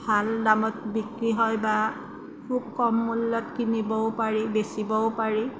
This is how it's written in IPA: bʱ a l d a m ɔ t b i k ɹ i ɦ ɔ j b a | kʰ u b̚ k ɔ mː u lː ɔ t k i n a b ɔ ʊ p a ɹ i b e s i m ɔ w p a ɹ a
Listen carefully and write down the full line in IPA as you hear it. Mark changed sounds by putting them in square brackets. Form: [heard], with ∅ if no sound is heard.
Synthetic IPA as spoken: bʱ a l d a m ɔ t b i k ɹ i ɦ ɔ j b a | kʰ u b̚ k ɔ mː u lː ɔ t k i n [i] b ɔ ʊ p a ɹ i b e s i [b] ɔ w p a ɹ [i]

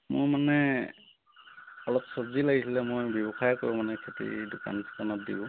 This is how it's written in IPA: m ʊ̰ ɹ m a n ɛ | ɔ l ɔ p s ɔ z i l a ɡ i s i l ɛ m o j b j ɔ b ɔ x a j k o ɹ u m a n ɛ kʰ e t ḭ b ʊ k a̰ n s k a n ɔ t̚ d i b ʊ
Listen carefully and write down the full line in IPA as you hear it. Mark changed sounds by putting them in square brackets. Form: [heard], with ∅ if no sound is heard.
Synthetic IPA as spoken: m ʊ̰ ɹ m a n ɛ | ɔ l ɔ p s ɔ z i l a ɡ i s i l ɛ m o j b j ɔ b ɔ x a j k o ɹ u m a n ɛ kʰ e t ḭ [d] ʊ k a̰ n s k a n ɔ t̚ d i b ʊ

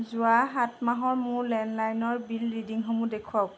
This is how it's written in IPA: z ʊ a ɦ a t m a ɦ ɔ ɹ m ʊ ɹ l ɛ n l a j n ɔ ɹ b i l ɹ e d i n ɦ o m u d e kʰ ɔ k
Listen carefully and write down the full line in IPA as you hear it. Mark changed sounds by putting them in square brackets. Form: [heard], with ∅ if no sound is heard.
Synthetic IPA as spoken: z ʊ a ɦ a t m a ɦ ɔ ɹ m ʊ ɹ l ɛ n l a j n ɔ ɹ b i l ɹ [i] d i [ŋ] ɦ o m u d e kʰ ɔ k

